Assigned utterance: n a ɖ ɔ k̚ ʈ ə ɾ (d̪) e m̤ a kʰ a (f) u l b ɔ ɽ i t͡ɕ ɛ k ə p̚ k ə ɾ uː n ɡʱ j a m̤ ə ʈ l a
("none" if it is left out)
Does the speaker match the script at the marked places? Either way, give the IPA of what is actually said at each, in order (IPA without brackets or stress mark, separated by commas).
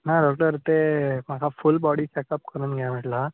t̪, f